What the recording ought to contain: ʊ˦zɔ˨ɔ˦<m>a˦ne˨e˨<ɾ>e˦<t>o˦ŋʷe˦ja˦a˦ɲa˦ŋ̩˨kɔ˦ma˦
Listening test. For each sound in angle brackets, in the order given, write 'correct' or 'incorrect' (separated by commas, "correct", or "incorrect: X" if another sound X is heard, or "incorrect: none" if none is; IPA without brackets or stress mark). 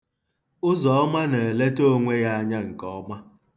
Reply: correct, incorrect: l, correct